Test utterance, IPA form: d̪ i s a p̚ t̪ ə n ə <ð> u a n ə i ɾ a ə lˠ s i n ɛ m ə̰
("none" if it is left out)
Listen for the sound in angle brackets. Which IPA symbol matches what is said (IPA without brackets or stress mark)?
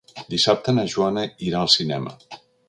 ʒ